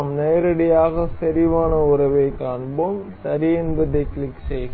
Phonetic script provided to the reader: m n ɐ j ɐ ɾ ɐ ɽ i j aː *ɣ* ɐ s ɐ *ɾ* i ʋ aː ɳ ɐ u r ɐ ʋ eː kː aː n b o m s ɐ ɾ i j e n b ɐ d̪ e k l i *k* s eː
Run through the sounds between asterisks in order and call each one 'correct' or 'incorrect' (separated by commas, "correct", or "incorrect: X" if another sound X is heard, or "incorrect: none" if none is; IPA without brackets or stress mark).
correct, correct, correct